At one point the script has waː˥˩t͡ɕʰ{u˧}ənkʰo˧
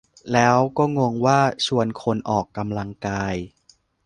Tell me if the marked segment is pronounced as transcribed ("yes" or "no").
yes